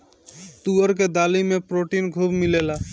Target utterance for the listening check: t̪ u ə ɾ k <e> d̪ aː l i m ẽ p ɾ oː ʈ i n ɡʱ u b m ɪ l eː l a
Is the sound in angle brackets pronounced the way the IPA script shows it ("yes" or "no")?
yes